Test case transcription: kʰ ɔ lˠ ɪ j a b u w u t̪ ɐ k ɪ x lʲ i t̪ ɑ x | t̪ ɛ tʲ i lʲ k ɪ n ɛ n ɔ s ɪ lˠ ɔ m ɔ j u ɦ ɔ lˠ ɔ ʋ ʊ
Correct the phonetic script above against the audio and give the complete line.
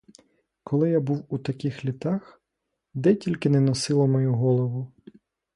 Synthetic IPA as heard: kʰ ɔ lˠ ɪ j a b u w u t̪ ɐ k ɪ x lʲ i t̪ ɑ x | d̪ ɛ tʲ i lʲ k ɪ n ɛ n ɔ s ɪ lˠ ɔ m ɔ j u ɦ ɔ lˠ ɔ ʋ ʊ